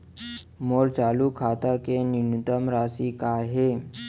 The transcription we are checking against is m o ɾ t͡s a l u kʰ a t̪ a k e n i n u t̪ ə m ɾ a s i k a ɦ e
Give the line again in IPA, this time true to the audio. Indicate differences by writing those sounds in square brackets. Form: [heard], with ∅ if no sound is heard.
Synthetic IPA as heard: m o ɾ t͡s a l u kʰ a t̪ a k e n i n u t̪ ə m ɾ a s i k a ɦ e